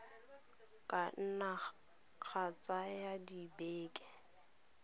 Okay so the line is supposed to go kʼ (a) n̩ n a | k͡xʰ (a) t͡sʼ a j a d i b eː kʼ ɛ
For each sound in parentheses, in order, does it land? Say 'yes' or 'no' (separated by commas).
yes, yes